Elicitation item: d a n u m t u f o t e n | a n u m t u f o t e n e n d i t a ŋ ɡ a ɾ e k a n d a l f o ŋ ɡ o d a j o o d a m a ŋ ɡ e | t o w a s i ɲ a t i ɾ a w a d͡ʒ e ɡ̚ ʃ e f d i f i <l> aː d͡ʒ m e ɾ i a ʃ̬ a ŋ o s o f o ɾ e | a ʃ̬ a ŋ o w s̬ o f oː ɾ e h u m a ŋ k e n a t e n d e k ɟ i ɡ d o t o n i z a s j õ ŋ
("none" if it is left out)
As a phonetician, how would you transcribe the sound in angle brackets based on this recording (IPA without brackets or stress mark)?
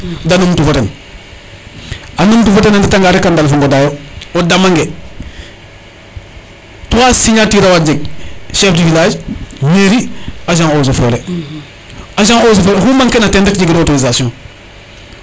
l